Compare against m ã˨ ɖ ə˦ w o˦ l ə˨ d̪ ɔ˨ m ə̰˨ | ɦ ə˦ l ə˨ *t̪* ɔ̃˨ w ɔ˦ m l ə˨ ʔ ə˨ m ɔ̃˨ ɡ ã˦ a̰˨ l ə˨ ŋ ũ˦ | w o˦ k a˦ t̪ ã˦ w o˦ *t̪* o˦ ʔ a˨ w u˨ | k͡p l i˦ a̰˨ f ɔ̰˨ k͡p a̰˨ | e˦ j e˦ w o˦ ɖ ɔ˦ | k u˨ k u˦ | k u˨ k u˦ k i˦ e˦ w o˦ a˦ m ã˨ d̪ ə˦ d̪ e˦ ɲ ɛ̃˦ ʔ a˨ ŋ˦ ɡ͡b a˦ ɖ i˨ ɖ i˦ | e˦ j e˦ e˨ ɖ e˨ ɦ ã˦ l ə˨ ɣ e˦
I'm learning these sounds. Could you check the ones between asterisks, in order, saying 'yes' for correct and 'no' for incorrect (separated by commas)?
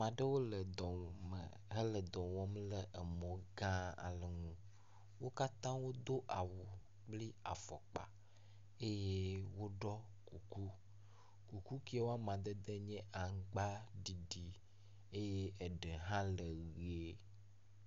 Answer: no, no